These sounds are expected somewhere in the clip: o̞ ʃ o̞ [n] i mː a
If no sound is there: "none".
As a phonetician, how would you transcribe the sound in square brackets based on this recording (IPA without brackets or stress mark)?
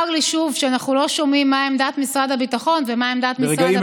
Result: m